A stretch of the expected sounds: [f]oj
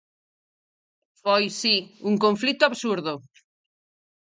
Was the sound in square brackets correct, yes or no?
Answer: yes